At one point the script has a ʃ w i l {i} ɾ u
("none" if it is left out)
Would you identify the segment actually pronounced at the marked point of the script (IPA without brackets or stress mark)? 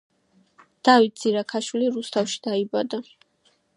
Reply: i